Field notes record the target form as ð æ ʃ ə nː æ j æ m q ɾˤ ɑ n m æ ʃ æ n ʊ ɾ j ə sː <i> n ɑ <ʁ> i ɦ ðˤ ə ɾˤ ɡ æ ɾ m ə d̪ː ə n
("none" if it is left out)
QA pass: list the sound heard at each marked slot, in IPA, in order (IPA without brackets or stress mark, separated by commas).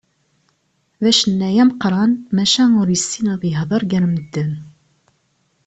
i, ð